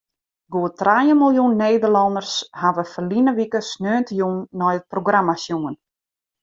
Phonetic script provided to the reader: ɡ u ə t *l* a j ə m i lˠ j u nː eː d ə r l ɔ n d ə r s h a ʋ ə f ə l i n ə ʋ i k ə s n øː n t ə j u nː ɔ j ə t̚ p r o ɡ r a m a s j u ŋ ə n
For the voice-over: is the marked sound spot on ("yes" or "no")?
no